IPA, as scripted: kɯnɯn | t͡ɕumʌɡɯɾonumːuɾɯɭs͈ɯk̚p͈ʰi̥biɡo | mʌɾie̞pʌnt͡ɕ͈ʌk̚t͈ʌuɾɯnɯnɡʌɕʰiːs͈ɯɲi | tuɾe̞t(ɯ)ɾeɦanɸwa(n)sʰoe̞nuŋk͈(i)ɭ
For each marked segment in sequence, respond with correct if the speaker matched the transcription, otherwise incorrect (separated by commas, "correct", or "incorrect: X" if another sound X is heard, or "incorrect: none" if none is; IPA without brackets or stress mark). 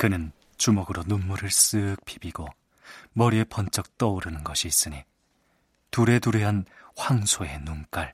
incorrect: u, incorrect: ŋ, incorrect: a